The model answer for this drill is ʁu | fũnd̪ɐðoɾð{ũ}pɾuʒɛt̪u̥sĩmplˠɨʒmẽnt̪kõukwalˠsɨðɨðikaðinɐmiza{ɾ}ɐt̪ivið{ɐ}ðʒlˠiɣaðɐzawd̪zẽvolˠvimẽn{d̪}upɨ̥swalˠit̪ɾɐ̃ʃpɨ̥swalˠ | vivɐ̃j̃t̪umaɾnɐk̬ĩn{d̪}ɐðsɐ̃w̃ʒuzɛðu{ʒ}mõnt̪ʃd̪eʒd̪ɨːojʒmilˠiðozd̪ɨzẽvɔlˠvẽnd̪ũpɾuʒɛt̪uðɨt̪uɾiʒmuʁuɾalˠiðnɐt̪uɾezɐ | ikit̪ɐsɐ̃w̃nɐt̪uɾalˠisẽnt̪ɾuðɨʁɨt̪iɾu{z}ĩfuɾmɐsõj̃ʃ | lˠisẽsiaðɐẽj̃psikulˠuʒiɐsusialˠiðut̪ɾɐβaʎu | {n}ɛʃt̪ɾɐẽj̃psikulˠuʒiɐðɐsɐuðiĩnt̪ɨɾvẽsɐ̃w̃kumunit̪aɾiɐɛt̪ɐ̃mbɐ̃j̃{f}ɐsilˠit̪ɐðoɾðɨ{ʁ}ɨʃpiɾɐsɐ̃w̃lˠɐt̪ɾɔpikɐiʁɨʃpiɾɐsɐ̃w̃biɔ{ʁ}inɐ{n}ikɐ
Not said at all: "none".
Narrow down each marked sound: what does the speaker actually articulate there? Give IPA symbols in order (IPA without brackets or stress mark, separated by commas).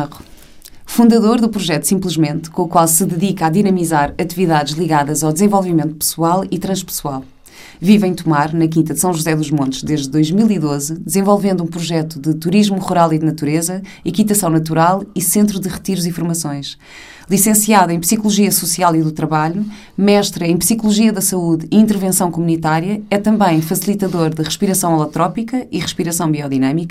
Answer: u, ɾ, a, t̪, t̪, ʒ, z, m, f, ʁ, ð, m